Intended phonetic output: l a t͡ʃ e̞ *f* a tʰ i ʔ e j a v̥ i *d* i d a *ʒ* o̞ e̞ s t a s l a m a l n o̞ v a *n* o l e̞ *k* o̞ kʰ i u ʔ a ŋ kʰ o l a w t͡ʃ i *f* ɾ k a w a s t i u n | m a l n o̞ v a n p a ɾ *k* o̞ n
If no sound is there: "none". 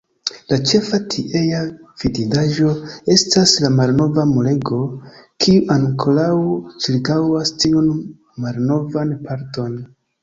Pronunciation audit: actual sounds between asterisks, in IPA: f, d, ʒ, m, ɡ, none, t

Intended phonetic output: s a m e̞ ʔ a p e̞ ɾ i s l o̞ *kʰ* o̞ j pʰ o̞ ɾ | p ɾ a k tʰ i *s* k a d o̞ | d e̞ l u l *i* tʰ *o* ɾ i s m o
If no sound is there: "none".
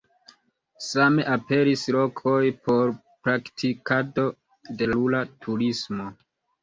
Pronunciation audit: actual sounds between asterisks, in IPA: kʰ, none, a, u

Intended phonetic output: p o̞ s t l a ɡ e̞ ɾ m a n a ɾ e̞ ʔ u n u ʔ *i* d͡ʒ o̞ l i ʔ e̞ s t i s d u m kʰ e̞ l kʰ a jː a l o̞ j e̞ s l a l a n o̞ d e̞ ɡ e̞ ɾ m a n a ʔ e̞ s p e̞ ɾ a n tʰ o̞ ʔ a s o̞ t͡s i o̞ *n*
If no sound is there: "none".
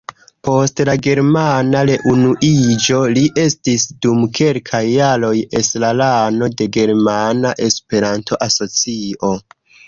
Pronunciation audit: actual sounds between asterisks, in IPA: i, none

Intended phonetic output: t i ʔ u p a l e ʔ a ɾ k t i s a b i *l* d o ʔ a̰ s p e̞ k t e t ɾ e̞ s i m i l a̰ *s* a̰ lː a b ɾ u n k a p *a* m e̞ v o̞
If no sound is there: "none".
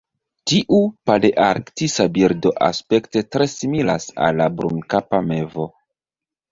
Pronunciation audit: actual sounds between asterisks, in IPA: ɾ, s, a

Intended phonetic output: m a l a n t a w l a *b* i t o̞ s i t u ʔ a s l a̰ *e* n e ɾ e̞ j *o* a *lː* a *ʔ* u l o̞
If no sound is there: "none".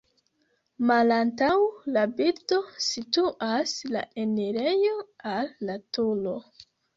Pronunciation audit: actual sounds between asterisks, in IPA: b, e, o, lː, t

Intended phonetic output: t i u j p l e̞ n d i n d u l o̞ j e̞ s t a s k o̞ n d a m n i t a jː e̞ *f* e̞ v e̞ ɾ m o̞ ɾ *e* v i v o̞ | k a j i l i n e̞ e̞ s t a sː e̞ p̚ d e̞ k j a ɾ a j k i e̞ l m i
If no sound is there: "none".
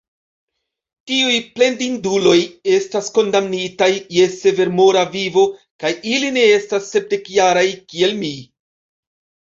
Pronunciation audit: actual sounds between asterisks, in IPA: s, a

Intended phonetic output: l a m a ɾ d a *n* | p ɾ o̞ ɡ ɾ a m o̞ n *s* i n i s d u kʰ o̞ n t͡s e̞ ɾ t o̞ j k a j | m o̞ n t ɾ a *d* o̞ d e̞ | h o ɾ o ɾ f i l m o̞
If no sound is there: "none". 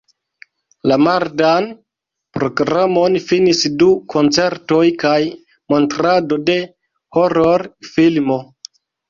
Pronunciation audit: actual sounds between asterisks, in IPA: n, f, d

